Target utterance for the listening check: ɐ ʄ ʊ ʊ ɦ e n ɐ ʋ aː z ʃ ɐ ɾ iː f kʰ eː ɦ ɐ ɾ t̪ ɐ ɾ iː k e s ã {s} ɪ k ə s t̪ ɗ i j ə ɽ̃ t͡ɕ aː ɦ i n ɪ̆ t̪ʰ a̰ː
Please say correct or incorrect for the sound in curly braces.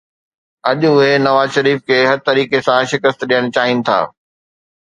incorrect